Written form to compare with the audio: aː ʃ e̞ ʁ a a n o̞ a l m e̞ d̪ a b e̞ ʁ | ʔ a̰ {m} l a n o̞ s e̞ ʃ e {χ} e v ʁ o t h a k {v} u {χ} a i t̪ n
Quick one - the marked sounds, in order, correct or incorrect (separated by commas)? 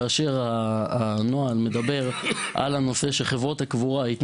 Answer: incorrect, correct, correct, incorrect